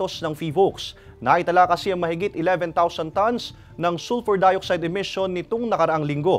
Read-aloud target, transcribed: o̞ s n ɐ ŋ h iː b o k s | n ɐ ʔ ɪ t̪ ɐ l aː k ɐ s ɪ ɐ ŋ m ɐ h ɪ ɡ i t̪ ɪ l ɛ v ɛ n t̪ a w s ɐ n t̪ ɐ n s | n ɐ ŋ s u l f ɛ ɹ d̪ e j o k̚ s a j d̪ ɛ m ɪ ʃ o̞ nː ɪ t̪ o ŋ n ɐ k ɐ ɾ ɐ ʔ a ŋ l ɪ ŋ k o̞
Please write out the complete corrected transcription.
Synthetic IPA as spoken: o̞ s n ɐ ŋ f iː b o k s | n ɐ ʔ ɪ t̪ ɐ l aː k ɐ s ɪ ɐ ŋ m ɐ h ɪ ɡ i t̪ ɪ l ɛ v ɛ n t̪ a w s ɐ n t̪ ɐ n s | n ɐ ŋ s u l f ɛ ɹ d̪ a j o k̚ s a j d̪ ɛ m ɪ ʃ o̞ nː ɪ t̪ o ŋ n ɐ k ɐ ɾ ɐ ʔ a ŋ l ɪ ŋ ɡ o̞